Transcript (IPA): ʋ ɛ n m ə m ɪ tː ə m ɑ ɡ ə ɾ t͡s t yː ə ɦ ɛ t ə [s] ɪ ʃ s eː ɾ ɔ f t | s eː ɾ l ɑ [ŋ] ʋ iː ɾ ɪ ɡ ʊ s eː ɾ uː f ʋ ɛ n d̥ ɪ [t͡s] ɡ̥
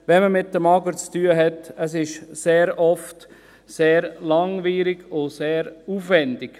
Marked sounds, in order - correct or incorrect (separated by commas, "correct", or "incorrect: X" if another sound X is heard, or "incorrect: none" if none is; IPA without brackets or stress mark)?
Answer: correct, correct, incorrect: none